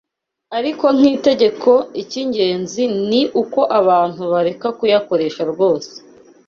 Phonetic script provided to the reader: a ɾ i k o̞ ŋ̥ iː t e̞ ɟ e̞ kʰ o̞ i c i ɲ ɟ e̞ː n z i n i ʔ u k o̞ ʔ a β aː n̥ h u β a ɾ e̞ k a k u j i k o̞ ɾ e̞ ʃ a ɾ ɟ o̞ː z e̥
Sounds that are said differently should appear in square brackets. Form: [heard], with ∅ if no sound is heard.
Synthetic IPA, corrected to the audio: a ɾ i k o̞ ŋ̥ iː t e̞ ɟ e̞ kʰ o̞ i c i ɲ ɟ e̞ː n z i n i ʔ u k o̞ ʔ a β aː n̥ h u β a ɾ e̞ k a k u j [a] k o̞ ɾ e̞ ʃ a ɾ [ɡ] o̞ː [s] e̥